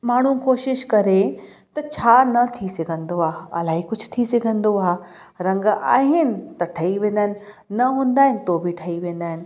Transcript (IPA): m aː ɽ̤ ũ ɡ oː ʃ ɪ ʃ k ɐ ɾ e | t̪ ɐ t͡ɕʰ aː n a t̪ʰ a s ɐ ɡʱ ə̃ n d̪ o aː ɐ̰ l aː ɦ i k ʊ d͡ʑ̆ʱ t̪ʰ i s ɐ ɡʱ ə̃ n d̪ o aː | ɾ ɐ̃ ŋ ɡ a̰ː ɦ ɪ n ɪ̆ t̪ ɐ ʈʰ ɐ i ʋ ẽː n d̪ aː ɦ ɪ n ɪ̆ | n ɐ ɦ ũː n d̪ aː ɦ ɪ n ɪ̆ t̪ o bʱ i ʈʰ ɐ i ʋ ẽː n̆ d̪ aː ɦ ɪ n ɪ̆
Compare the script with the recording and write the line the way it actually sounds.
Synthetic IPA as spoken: m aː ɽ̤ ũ k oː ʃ ɪ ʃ k ɐ ɾ e | t̪ ɐ t͡ɕʰ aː n ɐ t̪ʰ i s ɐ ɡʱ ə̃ n d̪ o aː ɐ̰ l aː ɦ i k ʊ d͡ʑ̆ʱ t̪ʰ i s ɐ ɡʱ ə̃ n d̪ o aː | ɾ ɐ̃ ŋ ɡ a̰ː ɦ ɪ n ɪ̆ t̪ ɐ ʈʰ ɐ i ʋ ẽː n d̪ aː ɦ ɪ n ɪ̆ | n ɐ ɦ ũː n d̪ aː ɦ ɪ n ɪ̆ t̪ o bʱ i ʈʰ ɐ i ʋ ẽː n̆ d̪ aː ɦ ɪ n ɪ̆